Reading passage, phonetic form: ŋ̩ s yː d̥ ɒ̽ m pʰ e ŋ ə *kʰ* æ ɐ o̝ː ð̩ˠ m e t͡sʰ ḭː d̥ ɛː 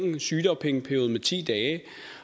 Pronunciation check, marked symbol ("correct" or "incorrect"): incorrect